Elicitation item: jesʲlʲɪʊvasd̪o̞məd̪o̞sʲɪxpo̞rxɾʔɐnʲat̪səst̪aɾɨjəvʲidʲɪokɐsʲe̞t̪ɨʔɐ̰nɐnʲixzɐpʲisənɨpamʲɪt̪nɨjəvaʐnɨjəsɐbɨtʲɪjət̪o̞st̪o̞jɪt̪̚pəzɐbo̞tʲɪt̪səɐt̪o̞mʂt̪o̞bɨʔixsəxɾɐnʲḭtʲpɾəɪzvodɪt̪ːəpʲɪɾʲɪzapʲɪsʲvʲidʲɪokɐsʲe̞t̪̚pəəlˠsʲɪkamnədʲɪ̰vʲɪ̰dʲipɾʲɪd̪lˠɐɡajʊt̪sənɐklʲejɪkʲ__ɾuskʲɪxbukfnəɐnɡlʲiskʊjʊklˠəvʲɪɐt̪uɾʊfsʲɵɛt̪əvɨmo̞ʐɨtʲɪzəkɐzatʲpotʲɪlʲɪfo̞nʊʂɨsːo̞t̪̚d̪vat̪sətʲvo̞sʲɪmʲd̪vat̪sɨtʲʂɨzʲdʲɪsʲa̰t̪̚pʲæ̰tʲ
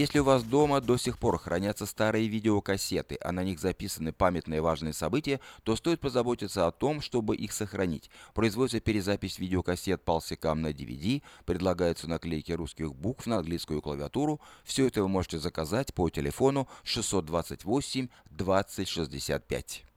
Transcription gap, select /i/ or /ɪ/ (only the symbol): ɪ